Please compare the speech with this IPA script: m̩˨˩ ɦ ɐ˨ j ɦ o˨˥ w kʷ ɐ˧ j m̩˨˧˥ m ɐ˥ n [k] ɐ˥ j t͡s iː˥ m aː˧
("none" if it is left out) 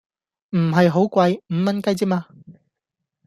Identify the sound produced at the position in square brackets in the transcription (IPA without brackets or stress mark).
k